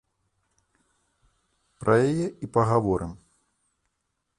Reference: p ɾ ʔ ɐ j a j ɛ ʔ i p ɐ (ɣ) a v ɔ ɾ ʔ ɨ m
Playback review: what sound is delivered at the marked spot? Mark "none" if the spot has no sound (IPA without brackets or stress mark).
ɣ